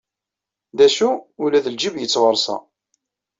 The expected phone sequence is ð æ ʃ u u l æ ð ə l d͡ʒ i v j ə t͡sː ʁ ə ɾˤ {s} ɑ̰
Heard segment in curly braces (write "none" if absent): s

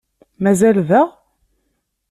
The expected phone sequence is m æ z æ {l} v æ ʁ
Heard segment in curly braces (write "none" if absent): l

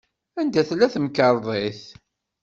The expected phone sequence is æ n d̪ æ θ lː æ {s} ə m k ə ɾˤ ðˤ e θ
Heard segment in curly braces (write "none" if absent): θ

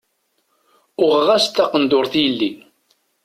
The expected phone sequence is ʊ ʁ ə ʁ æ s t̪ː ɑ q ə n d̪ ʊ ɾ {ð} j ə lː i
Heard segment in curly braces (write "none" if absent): θ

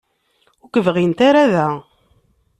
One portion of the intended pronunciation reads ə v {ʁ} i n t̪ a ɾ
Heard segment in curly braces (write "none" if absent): ʁ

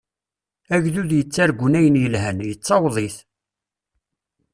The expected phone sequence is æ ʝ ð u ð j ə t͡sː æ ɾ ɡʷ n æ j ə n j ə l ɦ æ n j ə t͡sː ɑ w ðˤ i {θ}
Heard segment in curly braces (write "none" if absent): θ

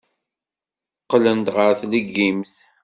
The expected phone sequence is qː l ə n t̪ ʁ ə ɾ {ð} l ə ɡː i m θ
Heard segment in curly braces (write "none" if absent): θ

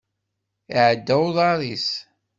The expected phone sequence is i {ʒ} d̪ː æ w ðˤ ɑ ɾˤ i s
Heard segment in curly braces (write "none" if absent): ʕ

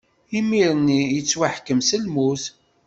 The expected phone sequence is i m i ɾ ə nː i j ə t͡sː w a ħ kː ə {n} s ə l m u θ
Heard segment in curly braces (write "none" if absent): m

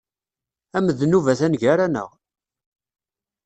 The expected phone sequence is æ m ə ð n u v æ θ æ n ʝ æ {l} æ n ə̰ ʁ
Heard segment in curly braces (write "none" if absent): ɾ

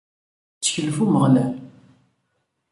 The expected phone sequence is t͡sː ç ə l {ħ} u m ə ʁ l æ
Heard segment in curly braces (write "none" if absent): f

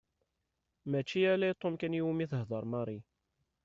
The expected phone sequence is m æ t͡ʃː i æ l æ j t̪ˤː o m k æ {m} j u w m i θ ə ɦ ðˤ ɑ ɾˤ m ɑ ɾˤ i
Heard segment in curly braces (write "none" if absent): n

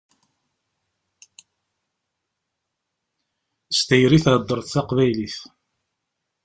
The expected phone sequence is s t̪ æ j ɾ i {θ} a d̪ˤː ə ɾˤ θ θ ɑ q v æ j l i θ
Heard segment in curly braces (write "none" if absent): θ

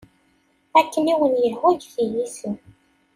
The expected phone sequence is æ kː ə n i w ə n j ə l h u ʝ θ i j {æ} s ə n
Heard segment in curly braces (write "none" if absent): i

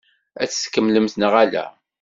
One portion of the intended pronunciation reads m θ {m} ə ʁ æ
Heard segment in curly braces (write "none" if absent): n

